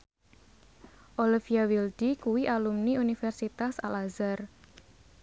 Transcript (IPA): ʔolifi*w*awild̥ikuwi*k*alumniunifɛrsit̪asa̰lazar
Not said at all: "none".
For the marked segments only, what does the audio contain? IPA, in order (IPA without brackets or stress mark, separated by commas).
none, ʔ